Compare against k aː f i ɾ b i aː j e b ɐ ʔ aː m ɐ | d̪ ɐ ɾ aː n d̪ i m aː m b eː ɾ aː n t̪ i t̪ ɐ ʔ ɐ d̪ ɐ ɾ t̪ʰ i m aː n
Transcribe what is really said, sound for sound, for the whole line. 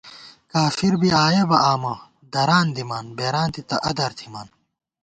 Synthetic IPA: k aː f i ɾ b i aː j e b ɐ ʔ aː m ɐ | d̪ ɐ ɾ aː n d̪ i m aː n b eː ɾ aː n t̪ i t̪ ɐ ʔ ɐ d̪ ɐ ɾ t̪ʰ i m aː n